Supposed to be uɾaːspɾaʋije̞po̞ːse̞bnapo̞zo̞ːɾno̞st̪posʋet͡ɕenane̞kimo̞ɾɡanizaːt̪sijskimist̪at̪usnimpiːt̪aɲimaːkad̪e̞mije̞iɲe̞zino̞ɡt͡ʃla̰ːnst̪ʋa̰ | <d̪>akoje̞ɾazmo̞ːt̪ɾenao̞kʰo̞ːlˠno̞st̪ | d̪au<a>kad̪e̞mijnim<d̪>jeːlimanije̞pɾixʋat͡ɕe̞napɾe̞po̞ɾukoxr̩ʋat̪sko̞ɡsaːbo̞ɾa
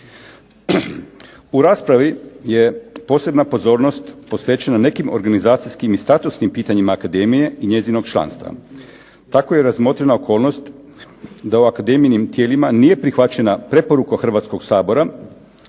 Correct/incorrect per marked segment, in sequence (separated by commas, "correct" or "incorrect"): incorrect, correct, incorrect